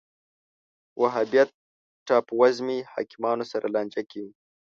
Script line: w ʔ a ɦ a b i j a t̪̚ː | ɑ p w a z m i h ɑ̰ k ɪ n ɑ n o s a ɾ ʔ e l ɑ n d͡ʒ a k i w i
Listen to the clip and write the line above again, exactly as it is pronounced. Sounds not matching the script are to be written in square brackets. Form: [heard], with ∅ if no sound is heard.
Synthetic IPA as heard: w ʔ a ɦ a b i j a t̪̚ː | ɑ p w a z m i h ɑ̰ k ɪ [m] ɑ n o s a ɾ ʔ [a] l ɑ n d͡ʒ a k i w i